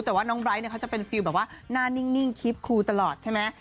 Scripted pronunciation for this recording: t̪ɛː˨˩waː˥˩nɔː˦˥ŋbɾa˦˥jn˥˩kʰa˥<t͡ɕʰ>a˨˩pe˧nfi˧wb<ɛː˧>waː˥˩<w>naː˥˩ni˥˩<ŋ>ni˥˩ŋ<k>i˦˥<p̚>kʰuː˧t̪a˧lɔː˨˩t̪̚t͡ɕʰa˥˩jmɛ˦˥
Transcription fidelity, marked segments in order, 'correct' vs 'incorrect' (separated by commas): incorrect, incorrect, incorrect, correct, incorrect, correct